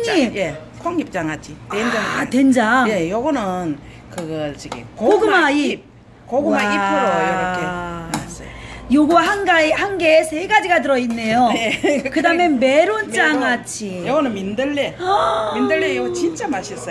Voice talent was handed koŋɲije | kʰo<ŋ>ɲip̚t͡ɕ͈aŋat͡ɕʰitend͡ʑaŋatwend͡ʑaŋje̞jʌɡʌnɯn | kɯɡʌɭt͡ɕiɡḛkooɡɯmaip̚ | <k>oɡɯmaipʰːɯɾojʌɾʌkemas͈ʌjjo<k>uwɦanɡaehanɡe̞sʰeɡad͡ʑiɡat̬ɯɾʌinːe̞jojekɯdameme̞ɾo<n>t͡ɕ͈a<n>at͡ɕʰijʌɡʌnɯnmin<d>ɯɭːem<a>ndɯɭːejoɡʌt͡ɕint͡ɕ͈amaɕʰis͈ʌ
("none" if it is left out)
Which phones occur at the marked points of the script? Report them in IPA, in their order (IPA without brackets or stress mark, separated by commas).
ŋ, k, ɡ, n, ŋ, d, i